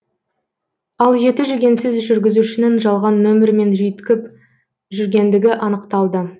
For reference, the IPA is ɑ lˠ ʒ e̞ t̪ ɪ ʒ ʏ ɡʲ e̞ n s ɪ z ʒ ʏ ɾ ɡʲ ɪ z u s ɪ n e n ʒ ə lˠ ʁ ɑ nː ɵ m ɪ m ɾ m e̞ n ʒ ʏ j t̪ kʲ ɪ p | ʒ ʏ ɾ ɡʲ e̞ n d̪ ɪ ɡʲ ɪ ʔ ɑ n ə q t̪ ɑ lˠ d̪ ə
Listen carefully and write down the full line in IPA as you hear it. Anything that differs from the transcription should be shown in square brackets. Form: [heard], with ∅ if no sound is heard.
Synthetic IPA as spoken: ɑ lˠ ʒ e̞ t̪ ɪ ʒ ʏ ɡʲ e̞ n s ɪ z ʒ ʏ ɾ ɡʲ ɪ z u [ʃ] ɪ n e n ʒ [ɑ] lˠ ʁ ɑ nː ɵ m ɪ [∅] ɾ m e̞ n ʒ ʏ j t̪ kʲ ɪ p | ʒ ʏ ɾ ɡʲ e̞ n d̪ ɪ ɡʲ ɪ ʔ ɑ n ə q t̪ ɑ lˠ d̪ ə